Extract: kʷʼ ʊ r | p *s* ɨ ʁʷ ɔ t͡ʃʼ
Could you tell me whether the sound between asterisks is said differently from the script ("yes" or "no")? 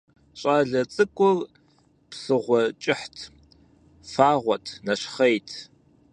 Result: no